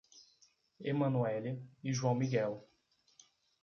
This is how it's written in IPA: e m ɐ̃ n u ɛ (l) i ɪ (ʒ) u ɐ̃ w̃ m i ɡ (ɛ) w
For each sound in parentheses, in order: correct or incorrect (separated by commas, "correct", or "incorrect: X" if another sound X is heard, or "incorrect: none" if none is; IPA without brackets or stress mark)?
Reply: correct, correct, correct